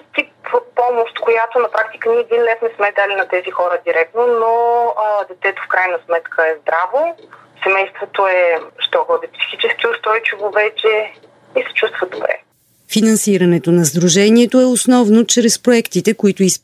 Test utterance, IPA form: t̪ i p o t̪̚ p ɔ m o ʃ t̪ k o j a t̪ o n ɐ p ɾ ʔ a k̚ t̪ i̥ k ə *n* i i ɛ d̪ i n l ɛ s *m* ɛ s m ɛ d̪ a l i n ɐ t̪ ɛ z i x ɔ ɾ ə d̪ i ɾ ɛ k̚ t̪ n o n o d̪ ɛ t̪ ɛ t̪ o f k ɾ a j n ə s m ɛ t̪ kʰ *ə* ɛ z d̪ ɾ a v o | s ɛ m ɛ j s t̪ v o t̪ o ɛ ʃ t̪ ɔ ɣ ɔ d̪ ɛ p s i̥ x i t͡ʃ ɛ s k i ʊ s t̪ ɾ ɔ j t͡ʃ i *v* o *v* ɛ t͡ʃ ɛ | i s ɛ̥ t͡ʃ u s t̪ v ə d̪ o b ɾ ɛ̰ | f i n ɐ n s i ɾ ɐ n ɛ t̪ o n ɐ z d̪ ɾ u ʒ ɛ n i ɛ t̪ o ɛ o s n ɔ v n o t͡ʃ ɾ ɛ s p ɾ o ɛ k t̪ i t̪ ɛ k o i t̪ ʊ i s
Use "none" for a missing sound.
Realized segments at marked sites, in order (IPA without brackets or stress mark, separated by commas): n, m, ə, v, v